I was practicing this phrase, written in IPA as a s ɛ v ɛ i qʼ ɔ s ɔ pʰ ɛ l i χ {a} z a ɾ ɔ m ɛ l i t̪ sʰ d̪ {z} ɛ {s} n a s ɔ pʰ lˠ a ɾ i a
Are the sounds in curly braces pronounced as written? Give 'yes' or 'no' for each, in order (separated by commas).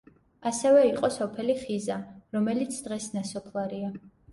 no, no, yes